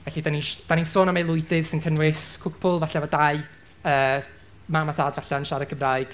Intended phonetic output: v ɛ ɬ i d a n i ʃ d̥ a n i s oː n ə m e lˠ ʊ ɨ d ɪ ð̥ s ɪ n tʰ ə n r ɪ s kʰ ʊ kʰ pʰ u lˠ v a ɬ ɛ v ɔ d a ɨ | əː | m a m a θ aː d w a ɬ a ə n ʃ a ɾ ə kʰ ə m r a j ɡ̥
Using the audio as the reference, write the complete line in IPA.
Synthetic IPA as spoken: v ɛ ɬ i d a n i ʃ d̥ a n i s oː n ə m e lˠ ʊ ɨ d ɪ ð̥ s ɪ n kʰ ə n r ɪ s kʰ ʊ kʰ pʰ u lˠ v a ɬ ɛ v ɔ d a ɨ | əː | m a m a θ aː d v a ɬ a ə n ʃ a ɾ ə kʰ ə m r a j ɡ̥